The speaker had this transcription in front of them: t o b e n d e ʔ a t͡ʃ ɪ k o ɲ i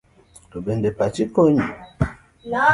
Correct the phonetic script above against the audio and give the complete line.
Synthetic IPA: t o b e n d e p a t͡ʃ i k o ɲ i